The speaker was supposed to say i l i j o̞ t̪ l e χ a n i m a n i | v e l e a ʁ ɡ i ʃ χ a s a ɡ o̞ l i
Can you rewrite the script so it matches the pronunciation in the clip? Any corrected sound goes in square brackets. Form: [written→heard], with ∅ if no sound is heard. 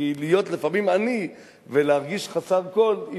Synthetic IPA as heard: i l i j o̞ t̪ l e [χ→f] a [n→m] i m a n i | v e l e a ʁ ɡ i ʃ χ a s a [ɡ→k] o̞ l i

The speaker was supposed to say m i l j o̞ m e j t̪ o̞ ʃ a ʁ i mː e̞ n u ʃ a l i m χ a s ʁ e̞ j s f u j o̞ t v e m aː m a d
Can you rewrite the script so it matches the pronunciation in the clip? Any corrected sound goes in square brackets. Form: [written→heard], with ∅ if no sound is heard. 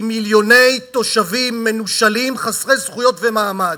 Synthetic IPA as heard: m i l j o̞ [m→n] e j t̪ o̞ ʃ a [ʁ→v] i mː e̞ n u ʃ a l i m χ a s ʁ e̞ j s [f→χ] u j o̞ t v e m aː m a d

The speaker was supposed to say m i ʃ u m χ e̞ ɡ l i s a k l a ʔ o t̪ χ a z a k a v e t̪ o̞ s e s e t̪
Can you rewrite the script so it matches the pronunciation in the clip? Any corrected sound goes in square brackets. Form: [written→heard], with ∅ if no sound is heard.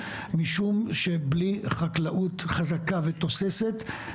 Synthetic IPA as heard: m i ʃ u m [χ→ʃ] e̞ [ɡ→b] l i [s→χ] a k l a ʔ [o→u] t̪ χ a z a k a v e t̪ o̞ s e s e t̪

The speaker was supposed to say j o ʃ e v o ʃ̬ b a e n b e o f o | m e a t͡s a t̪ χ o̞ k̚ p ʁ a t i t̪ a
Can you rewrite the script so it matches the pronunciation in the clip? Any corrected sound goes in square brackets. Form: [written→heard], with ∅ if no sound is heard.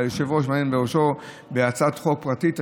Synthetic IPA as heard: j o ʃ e v o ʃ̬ [b→m] a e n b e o [f→ʃ] o | [m→b] e a t͡s a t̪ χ o̞ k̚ p ʁ a t i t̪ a

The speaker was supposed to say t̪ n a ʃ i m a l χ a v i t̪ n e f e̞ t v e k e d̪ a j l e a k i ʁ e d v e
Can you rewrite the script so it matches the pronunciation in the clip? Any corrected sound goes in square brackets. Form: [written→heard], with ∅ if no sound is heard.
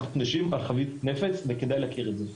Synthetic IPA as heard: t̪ n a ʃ i m a l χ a v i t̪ n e f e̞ [t→t͡s] v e k e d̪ a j l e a k i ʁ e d [v→z] e

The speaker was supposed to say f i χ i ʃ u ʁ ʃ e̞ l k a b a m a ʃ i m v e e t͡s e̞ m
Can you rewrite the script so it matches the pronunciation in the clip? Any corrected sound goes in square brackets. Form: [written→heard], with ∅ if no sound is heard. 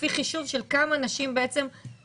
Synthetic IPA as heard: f i χ i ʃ u [ʁ→v] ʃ e̞ l k a [b→m] a [m→n] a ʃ i m [v→b] e e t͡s e̞ m

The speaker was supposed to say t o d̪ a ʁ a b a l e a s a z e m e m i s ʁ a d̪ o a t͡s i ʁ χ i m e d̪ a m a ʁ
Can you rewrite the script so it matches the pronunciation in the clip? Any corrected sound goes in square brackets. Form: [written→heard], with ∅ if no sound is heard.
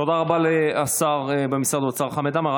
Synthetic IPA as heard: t o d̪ a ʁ a b a l e a s a [z→ʁ] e [m→b] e m i s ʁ a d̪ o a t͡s [i→a] ʁ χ [i→a] m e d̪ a m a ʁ

